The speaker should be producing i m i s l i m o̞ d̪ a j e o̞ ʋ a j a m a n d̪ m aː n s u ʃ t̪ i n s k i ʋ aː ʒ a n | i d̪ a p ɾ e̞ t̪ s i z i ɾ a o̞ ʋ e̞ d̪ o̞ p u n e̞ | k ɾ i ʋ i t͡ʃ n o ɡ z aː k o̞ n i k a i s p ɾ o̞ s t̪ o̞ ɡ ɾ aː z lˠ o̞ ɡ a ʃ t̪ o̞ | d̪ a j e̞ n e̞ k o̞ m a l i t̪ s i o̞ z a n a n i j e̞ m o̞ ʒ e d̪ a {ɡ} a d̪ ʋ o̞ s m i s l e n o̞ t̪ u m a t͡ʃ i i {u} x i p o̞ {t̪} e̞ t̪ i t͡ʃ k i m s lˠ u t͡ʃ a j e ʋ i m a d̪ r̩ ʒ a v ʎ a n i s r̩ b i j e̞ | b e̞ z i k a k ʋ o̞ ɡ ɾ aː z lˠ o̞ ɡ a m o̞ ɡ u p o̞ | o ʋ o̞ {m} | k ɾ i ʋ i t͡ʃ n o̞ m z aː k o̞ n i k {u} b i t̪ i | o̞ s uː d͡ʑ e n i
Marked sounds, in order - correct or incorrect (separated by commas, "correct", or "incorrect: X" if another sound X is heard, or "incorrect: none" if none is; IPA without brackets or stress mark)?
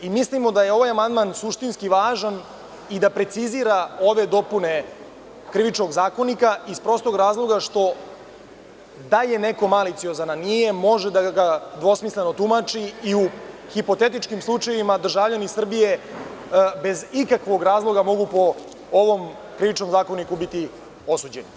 correct, correct, correct, correct, correct